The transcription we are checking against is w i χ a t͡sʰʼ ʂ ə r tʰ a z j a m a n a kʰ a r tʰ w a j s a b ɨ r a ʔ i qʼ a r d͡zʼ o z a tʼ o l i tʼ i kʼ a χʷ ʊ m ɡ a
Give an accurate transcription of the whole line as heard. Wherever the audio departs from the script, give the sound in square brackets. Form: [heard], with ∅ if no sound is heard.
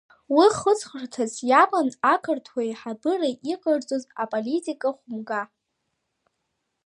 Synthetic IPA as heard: w i χ [ə] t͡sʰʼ [χ] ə r tʰ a z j a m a n a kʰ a r tʰ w a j [ħ] a b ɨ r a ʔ i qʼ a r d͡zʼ o z a [pʼ] o l i tʼ i kʼ a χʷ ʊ m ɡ a

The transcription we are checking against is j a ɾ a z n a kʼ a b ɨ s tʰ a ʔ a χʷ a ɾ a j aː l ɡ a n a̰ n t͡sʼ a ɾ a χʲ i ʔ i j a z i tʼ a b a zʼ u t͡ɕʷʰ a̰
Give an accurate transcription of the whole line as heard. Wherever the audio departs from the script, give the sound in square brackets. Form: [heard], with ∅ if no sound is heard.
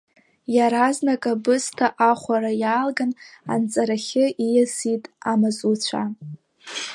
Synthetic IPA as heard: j a ɾ a z n a kʼ a b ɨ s tʰ a ʔ a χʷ a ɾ a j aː l ɡ a n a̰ n t͡sʼ a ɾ a χʲ [ɪ] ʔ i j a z i tʼ a [m] a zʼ u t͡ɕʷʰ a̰

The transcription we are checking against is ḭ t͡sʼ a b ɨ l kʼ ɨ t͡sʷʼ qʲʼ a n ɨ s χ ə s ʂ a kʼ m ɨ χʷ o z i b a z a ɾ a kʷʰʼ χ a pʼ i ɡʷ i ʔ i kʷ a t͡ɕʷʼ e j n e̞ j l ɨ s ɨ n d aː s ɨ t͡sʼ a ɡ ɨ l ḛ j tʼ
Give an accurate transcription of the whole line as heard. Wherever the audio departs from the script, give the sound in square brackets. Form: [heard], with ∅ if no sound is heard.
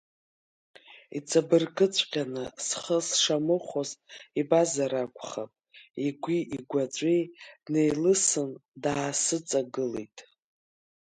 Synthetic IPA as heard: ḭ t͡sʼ a b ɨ [r] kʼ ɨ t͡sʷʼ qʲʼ a n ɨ s χ ə s ʂ a [∅] m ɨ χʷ o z i b a z a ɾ a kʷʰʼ χ a pʼ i ɡʷ i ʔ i [ɡʷ] a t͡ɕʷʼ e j n e̞ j l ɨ s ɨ n d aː s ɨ t͡sʼ a ɡ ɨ l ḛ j tʼ

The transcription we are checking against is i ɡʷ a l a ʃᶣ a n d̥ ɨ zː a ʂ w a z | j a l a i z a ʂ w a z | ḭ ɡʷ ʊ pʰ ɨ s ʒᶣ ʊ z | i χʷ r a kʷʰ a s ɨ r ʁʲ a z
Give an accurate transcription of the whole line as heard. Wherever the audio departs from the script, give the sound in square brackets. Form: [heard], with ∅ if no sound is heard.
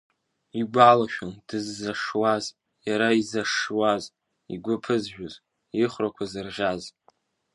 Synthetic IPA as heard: i ɡʷ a l a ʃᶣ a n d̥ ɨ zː a ʂ w a z | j a [ɾ] a i z a ʂ w a z | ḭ ɡʷ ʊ pʰ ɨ [z] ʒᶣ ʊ z | i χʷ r a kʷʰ a [z] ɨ r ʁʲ a z

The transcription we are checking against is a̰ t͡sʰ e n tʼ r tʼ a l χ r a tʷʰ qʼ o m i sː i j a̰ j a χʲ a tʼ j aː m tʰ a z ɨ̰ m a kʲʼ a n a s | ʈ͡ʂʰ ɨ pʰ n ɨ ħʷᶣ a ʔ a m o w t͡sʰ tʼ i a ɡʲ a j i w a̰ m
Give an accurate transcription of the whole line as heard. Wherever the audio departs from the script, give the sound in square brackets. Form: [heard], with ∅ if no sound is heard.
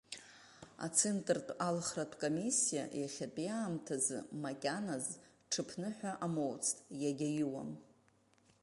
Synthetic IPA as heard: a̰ t͡sʰ e n tʼ r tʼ a l χ r a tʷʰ [kʼ] o m i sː i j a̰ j a χʲ a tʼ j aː m tʰ a z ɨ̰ m a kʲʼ a n a [z] | ʈ͡ʂʰ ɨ pʰ n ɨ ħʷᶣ a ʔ a m o w t͡sʰ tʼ [j] a ɡʲ a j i w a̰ m

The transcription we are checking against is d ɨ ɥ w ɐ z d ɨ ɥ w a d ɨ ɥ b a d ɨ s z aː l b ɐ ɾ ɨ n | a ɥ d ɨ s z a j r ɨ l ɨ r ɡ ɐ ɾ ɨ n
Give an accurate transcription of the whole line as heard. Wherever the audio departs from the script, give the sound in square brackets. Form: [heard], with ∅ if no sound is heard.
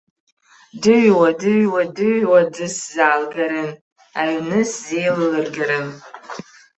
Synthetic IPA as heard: d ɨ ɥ w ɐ [∅] d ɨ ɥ w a d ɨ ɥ [w] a d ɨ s z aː l [ɡ] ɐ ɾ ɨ n | a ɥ [n] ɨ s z [e] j [l] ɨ l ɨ r ɡ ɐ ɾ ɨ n

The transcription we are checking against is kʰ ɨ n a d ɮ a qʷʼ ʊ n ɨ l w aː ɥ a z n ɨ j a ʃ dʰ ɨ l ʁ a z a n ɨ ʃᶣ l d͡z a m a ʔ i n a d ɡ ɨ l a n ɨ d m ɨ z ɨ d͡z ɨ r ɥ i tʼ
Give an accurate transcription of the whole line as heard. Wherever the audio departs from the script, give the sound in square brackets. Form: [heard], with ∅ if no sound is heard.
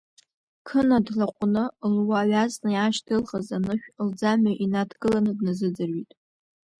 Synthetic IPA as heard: kʰ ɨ n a d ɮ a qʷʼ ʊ n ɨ l w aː ɥ a z n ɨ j a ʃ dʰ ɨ l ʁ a z a n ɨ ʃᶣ l d͡z a m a ʔ i n a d ɡ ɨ l a n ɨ d [n] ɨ z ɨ d͡z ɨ r ɥ i tʼ

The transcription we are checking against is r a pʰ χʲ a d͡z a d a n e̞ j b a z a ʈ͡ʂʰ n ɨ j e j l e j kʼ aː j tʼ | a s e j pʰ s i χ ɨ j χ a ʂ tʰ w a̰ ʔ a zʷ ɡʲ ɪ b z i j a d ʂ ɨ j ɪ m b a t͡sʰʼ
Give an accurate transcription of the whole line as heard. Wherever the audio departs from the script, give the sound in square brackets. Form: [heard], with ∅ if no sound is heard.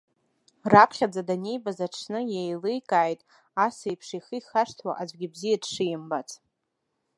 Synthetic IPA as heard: r a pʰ χʲ a d͡z a d a n e̞ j b a z a ʈ͡ʂʰ n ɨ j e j l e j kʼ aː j tʼ | a s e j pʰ [ʂ] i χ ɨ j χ a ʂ tʰ w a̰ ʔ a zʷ ɡʲ ɪ b z i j a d ʂ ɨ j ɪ m b a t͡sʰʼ

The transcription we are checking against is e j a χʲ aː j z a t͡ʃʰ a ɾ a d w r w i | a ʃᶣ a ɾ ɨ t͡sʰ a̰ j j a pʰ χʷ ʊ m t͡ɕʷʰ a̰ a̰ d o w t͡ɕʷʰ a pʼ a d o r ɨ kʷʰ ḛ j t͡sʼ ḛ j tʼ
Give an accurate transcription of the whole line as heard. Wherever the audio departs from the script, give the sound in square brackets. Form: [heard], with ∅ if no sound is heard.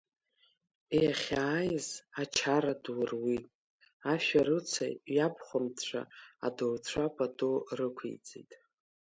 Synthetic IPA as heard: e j a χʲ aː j z a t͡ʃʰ a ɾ a d w r w i | a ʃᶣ a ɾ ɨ t͡sʰ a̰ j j a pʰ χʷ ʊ m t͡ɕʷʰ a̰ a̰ d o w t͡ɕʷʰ a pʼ a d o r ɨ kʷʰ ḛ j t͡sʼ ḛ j tʼ

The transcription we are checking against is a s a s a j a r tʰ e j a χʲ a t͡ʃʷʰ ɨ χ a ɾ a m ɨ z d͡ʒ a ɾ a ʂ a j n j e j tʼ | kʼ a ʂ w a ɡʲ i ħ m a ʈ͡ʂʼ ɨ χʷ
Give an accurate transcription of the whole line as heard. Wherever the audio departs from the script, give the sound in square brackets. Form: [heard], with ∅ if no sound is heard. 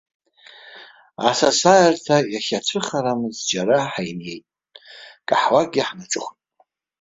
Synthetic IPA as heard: a s a s a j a r tʰ [a] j a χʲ a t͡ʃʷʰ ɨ χ a ɾ a m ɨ z d͡ʒ a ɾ a [ħ] a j n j e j tʼ | kʼ a [ħ] w a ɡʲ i ħ [n] a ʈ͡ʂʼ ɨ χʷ

